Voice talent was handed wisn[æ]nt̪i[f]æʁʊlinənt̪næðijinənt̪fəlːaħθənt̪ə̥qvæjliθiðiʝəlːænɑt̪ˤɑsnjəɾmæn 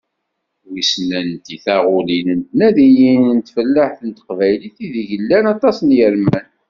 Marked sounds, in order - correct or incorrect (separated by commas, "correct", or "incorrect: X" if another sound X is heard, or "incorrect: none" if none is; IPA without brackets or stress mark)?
correct, incorrect: θ